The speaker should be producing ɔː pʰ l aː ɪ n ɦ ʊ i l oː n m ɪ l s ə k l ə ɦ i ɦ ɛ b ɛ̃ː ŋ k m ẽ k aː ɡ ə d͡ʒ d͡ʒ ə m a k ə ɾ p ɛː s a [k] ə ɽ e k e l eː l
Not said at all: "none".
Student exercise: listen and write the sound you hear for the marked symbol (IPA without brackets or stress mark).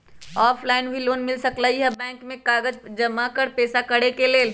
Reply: k